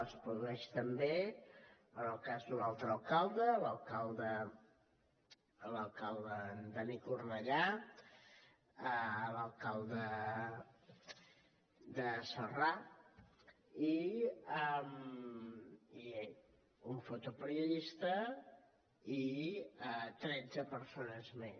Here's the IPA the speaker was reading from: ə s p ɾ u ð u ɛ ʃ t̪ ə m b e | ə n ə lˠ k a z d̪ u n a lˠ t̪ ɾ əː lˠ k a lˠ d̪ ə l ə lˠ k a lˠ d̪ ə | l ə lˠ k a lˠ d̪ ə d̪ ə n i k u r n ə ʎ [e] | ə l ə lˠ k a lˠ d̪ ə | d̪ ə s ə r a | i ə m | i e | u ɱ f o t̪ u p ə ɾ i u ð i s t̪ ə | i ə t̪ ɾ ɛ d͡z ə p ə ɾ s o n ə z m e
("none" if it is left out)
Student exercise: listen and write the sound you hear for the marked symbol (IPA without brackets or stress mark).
a